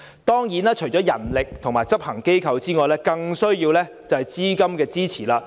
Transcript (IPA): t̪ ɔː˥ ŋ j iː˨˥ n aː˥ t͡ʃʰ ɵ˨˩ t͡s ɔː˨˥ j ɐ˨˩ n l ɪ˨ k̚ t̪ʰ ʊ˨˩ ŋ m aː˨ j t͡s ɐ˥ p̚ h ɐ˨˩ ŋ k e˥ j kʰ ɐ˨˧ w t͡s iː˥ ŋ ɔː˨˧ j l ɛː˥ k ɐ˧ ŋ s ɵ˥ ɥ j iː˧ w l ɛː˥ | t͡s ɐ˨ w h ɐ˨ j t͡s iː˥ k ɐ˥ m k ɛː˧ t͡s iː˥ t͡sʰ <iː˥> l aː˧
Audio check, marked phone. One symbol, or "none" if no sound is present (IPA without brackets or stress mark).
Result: iː˨˩